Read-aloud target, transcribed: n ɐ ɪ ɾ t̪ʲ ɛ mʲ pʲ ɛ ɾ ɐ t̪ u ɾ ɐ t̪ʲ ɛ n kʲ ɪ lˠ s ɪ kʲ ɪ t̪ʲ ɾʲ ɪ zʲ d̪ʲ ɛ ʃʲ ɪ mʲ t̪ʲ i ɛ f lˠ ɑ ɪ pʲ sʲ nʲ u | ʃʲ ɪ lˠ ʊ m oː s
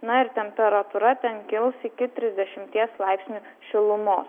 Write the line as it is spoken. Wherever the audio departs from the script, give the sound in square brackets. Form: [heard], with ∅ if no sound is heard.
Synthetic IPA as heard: n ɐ ɪ ɾ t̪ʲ ɛ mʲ pʲ ɛ ɾ ɐ t̪ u ɾ ɐ t̪ʲ ɛ n kʲ ɪ lˠ s ɪ kʲ ɪ t̪ʲ ɾʲ ɪ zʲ d̪ʲ ɛ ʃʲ ɪ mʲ t̪ʲ i ɛ [s] lˠ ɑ ɪ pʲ sʲ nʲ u | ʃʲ ɪ lˠ ʊ m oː s